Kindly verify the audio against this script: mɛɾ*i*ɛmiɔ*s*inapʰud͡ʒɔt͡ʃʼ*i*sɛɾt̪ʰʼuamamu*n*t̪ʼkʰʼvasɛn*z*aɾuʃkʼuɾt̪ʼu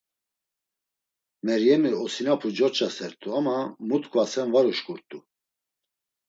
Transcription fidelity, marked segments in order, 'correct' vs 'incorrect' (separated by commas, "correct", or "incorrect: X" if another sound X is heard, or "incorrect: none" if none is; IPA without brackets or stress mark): incorrect: j, correct, incorrect: a, incorrect: none, incorrect: v